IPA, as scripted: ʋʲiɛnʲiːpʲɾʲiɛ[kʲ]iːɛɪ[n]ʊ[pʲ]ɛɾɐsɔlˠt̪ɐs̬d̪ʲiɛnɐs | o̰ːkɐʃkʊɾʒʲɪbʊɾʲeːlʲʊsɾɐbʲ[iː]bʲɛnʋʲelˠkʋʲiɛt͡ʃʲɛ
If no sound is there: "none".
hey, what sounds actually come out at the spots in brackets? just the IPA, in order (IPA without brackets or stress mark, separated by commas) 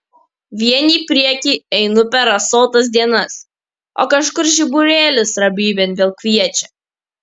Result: kʲ, n, pʲ, iː